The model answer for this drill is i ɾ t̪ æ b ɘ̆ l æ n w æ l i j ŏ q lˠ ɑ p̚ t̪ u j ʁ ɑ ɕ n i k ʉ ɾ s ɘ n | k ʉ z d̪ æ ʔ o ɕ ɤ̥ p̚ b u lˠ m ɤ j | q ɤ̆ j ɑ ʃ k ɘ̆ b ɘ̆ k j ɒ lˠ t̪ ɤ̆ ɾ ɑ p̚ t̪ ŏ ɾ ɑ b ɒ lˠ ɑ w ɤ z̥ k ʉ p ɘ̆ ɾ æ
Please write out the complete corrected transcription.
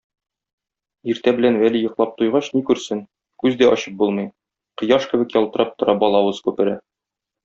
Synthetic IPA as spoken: i ɾ t̪ æ b ɘ̆ l æ n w æ l i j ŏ q lˠ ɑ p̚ t̪ u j ʁ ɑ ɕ n i k ʉ ɾ s ɘ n | k ʉ z d̪ æ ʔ ɒ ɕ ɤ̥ p̚ b u lˠ m ɤ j | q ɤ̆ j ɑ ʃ k ɘ̆ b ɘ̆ k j ɒ lˠ t̪ ɤ̆ ɾ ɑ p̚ t̪ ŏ ɾ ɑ b ɒ lˠ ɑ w ɤ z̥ k ʉ p ɘ̆ ɾ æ